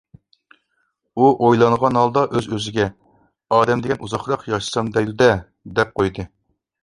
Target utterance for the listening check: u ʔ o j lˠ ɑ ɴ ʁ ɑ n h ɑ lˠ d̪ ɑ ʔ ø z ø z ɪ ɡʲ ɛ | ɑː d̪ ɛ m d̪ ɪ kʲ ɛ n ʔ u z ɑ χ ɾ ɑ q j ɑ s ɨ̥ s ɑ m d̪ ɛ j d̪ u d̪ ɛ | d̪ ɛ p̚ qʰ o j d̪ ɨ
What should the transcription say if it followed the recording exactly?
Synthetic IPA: u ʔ o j lˠ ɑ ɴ ʁ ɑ n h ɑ lˠ d̪ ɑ ʔ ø z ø z ɪ ɡʲ ɛ | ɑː d̪ ɛ m d̪ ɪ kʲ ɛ n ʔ u z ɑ χ ɾ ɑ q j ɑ ʃ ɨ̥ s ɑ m d̪ ɛ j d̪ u d̪ ɛ | d̪ ɛ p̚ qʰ o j d̪ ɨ